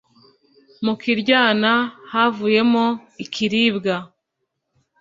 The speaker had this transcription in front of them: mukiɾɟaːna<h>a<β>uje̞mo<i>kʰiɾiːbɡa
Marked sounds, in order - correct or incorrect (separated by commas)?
correct, incorrect, correct